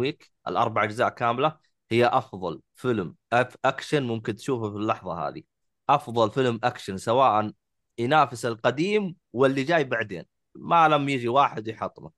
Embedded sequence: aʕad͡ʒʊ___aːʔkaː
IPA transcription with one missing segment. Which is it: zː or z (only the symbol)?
z